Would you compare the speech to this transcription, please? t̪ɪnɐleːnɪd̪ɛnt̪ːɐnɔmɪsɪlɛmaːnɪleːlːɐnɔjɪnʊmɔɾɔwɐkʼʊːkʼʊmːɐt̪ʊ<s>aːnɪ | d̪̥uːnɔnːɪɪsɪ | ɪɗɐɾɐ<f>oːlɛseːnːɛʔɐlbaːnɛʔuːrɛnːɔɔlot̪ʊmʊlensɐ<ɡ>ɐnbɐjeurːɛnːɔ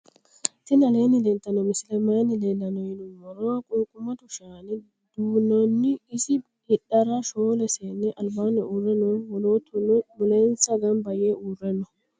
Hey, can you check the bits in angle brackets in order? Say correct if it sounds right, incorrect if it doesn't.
incorrect: ʃ, incorrect: ʃ, correct

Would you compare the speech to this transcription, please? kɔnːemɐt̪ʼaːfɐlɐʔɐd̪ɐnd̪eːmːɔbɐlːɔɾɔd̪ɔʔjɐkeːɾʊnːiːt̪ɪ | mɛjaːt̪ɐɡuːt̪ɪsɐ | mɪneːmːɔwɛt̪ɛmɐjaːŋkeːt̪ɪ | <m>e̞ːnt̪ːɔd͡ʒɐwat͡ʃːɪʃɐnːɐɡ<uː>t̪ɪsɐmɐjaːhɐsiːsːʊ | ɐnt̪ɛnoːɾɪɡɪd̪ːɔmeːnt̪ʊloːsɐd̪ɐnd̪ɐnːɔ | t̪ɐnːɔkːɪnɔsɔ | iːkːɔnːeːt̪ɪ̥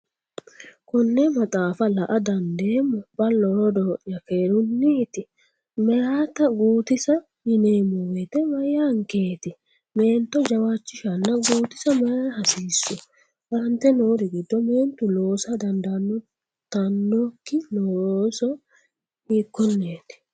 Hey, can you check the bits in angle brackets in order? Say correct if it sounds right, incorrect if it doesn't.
correct, correct

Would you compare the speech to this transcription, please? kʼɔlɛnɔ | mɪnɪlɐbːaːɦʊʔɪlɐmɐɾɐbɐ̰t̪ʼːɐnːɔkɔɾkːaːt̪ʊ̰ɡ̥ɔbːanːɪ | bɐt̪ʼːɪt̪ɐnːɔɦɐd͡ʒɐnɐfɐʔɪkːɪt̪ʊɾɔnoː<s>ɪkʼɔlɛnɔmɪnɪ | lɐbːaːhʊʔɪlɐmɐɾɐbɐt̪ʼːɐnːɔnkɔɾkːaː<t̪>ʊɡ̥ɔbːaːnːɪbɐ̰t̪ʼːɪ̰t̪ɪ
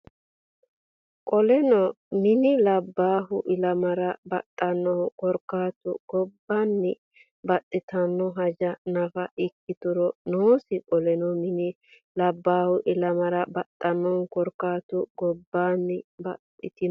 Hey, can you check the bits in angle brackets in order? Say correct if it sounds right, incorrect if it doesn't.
correct, correct

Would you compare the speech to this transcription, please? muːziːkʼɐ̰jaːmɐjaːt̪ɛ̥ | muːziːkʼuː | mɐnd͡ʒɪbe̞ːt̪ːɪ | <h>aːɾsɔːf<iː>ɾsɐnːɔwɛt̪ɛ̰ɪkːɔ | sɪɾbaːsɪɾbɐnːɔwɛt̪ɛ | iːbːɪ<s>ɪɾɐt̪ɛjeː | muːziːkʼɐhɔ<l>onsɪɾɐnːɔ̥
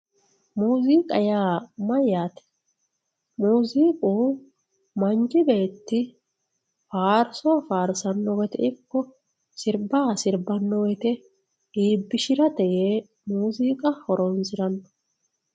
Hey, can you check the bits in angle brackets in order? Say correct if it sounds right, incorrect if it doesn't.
incorrect: f, incorrect: aː, incorrect: ʃ, incorrect: ɾ

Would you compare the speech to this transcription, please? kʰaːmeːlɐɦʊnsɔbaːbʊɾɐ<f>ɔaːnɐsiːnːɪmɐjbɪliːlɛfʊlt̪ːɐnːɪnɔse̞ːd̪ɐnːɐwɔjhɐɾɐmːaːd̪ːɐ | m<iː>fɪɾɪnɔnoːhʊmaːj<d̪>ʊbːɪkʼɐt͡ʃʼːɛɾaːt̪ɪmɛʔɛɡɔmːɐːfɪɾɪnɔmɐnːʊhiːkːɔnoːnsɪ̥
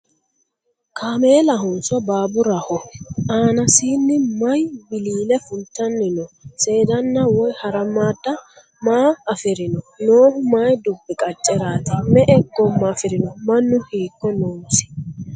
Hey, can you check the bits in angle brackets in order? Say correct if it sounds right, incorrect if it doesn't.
incorrect: h, incorrect: aː, correct

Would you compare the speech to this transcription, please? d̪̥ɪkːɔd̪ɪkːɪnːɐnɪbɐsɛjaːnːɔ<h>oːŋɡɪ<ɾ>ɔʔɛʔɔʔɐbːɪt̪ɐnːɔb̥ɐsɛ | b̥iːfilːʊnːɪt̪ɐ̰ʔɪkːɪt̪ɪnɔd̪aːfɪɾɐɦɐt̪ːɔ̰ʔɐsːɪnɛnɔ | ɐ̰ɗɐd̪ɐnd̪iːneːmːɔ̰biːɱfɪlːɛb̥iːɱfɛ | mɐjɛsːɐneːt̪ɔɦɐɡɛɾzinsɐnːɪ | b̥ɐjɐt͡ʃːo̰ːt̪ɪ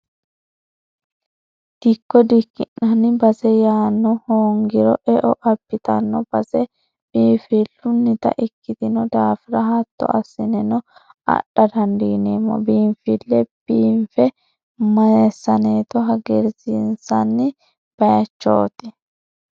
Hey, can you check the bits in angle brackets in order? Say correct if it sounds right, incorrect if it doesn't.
correct, correct

